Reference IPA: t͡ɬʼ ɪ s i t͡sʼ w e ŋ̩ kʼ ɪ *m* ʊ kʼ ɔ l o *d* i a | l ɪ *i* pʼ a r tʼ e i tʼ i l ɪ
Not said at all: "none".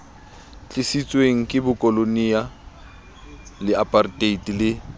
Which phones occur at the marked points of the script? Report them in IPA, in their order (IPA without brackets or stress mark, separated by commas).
b, n, a